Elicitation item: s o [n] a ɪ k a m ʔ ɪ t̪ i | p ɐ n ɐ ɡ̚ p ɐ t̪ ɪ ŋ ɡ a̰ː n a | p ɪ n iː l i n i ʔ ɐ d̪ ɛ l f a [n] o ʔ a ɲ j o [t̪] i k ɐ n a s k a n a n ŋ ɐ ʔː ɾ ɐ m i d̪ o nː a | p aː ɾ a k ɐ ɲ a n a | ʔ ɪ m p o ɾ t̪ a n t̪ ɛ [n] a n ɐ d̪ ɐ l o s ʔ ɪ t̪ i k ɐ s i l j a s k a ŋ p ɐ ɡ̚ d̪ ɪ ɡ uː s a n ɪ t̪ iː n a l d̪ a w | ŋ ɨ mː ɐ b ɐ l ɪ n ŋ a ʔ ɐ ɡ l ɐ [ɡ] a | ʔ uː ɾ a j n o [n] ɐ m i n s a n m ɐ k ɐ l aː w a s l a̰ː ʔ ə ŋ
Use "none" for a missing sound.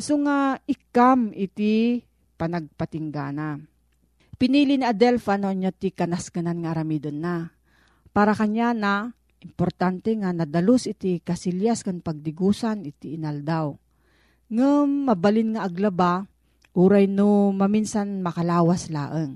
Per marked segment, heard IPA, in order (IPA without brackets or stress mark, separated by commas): ŋ, n, t̪, ŋ, b, m